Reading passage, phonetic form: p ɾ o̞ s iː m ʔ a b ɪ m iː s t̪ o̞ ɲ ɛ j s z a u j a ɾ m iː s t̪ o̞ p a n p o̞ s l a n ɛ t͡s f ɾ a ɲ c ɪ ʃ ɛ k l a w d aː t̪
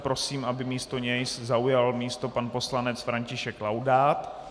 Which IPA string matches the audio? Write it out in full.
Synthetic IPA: p ɾ o̞ s iː m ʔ a b ɪ m iː s t̪ o̞ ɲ ɛ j s z a u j a l m iː s t̪ o̞ p a n p o̞ s l a n ɛ t͡s f ɾ a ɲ c ɪ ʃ ɛ k l a w d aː t̪

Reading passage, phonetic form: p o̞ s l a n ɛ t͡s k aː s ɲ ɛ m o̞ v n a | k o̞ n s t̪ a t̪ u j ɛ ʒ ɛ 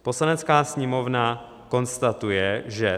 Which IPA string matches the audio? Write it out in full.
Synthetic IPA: p o̞ s l a n ɛ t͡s k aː s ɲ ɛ m o̞ v n a | k o̞ n s t̪ a t̪ u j ɛ ʒ ɛ

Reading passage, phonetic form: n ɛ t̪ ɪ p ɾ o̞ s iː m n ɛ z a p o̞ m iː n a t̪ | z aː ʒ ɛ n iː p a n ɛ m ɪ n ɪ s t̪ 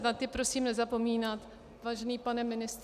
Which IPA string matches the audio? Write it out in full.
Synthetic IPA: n a t̪ ɪ p ɾ o̞ s iː m n ɛ z a p o̞ m iː n a t̪ | v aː ʒ ɛ n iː p a n ɛ m ɪ n ɪ s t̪

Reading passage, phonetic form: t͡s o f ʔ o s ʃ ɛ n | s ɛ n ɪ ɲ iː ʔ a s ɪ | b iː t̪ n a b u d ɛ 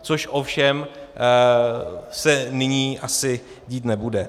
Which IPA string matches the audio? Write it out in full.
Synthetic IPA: t͡s o ʃ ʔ o f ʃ ɛ m | s ɛ n ɪ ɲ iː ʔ a s ɪ | ɟ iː t̪ n ɛ b u d ɛ

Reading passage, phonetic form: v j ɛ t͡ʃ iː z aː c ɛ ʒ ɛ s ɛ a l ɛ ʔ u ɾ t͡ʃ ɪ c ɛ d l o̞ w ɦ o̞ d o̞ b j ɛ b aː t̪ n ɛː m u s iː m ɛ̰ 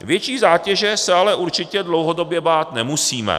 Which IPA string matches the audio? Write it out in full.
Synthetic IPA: v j ɛ t͡ʃ iː z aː c ɛ ʒ ɛ s ɛ a l ɛ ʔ u ɾ t͡ʃ ɪ c ɛ d l o̞ w ɦ o̞ d o̞ b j ɛ b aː t̪ n ɛ m u s iː m ɛ̰

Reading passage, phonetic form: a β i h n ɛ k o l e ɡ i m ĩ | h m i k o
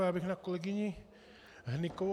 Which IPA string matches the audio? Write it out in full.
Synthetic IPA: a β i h n a k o l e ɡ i ɲ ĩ | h n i k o

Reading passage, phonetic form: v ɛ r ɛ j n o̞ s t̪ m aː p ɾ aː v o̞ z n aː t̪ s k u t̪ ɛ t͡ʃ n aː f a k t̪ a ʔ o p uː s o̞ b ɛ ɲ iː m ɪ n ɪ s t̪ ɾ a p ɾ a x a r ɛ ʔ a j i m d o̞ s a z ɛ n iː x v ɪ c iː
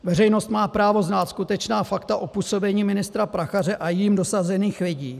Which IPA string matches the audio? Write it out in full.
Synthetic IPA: v ɛ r ɛ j n o̞ s t̪ m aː p ɾ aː v o̞ z n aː t̪ s k u t̪ ɛ t͡ʃ n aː f a k t̪ a ʔ o p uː s o̞ b ɛ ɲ iː m ɪ n ɪ s t̪ ɾ a p ɾ a x a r ɛ ʔ a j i m d o̞ s a z ɛ n iː x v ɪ ɟ iː

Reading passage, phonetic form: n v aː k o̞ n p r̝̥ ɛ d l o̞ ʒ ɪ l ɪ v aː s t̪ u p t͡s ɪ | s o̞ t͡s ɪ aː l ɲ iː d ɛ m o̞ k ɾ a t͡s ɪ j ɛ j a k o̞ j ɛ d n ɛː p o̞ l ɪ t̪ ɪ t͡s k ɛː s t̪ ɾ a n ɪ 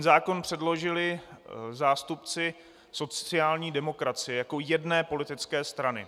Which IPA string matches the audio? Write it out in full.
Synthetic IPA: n z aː k o̞ n p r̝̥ ɛ d l o̞ ʒ ɪ l ɪ z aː s t̪ u p t͡s ɪ | s o̞ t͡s ɪ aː l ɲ iː d ɛ m o̞ k ɾ a t͡s ɪ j ɛ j a k o̞ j ɛ d n ɛː p o̞ l ɪ t̪ ɪ t͡s k ɛː s t̪ ɾ a n ɪ

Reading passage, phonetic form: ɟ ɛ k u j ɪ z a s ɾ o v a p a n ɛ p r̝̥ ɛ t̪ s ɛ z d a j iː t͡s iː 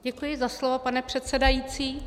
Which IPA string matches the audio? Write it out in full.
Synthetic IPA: ɟ ɛ k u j ɪ z a s l o v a p a n ɛ p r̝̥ ɛ t̪ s ɛ d a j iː t͡s iː

